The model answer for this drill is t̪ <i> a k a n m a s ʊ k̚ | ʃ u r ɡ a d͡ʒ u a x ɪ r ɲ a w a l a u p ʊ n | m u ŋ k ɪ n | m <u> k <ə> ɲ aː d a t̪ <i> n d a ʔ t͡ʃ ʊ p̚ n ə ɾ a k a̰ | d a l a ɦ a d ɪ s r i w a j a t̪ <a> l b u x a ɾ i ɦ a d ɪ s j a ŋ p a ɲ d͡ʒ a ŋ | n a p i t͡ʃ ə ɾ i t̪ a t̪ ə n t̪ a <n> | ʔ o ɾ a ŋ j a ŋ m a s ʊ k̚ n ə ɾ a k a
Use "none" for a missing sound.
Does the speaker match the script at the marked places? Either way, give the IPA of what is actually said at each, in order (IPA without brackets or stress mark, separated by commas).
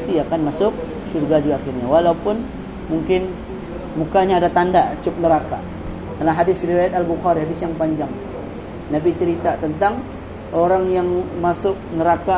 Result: i, u, a, a, a, ŋ